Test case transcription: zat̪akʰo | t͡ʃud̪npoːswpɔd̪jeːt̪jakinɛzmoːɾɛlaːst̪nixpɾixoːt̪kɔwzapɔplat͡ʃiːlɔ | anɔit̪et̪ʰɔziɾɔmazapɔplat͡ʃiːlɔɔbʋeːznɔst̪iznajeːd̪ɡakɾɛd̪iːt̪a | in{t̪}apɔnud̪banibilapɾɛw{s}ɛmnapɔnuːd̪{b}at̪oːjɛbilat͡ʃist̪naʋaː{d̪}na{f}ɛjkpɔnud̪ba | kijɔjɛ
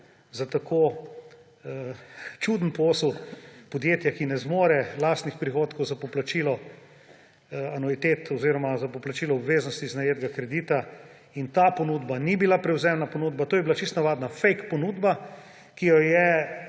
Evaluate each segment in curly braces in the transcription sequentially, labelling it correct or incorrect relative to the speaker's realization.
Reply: correct, incorrect: z, correct, correct, correct

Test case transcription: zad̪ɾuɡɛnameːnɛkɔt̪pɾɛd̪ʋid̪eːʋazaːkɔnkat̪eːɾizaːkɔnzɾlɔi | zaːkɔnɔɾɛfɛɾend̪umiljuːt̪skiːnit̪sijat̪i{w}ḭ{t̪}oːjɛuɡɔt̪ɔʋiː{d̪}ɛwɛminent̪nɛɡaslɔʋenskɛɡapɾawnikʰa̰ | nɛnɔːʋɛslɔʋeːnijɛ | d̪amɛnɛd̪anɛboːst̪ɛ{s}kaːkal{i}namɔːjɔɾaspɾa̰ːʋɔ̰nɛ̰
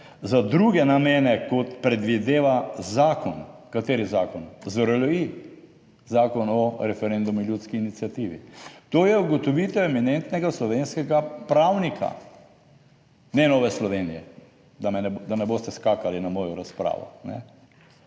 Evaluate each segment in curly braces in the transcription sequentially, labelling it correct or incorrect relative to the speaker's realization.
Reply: incorrect: ʋ, correct, incorrect: t̪, correct, correct

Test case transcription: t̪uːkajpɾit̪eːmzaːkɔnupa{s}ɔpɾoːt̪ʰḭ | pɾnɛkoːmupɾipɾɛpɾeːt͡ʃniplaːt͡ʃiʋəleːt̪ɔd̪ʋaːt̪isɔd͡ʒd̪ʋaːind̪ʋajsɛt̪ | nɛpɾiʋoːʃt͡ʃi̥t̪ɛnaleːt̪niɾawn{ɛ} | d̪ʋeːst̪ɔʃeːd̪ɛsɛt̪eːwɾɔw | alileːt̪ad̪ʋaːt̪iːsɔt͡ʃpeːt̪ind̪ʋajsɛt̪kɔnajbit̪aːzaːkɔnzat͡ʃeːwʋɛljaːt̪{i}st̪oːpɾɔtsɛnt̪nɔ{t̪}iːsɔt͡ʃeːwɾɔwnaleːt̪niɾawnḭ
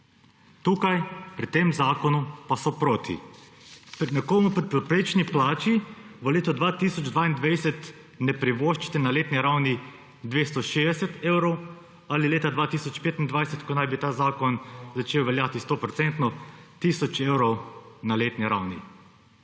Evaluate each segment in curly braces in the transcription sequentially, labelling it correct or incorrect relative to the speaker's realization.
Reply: correct, incorrect: i, correct, correct

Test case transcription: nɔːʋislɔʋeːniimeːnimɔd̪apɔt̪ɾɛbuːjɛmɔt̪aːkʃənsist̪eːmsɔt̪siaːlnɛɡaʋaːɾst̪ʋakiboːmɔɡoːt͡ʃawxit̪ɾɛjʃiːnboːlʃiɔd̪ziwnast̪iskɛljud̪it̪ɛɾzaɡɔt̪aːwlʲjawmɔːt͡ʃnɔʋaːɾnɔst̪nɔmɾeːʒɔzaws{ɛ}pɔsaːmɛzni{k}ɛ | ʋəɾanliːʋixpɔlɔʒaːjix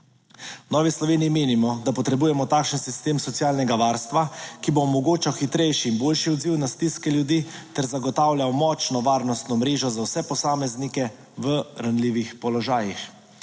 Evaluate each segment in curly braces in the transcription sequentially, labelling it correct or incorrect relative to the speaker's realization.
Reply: correct, correct

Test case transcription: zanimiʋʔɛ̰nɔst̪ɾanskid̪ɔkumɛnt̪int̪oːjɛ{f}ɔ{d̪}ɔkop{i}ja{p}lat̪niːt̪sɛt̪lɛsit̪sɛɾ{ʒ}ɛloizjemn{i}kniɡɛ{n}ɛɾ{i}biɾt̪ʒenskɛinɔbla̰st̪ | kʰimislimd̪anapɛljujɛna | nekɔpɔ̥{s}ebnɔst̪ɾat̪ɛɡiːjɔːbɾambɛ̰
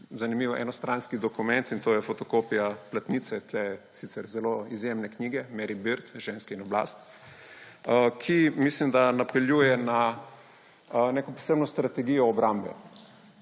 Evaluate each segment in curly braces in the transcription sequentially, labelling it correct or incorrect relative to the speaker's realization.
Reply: correct, incorrect: t̪, correct, correct, incorrect: z, incorrect: ɛ, incorrect: m, correct, correct

